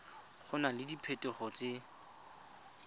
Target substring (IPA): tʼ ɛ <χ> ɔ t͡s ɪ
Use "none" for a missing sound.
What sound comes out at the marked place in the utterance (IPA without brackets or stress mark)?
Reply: χ